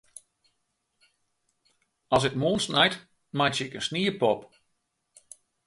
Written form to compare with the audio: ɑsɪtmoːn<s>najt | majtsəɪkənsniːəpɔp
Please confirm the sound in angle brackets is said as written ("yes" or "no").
yes